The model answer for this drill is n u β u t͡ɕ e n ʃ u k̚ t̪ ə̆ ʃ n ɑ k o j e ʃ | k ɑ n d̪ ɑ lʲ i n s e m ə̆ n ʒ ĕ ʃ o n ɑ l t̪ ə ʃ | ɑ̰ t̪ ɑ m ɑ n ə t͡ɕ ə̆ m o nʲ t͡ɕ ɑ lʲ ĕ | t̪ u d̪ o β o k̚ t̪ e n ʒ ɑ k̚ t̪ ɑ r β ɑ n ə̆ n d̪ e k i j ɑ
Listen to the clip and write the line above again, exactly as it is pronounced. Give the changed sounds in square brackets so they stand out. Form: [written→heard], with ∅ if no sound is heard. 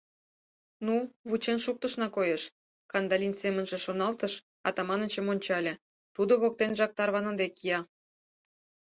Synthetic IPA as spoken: n u β u t͡ɕ e n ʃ u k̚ t̪ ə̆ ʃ n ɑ k o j e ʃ | k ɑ n d̪ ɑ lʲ i n s e m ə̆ n ʒ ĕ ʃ o n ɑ l t̪ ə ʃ | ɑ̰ t̪ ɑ m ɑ n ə t͡ɕ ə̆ m o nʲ t͡ɕ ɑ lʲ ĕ | t̪ u d̪ o β o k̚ t̪ e n ʒ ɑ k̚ t̪ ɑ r β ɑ n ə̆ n d̪ e k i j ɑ